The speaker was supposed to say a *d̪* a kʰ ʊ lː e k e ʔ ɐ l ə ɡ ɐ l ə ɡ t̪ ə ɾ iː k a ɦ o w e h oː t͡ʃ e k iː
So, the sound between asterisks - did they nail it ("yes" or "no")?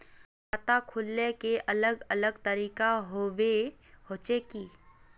no